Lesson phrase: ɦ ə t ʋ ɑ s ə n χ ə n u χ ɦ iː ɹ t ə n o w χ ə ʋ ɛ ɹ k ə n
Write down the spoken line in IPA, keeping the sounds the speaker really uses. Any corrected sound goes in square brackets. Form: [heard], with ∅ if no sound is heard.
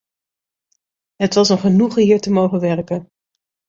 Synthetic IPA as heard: ɦ ə t ʋ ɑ s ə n χ ə n u χ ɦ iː ɹ t ə [m] o w χ ə ʋ ɛ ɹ k ə n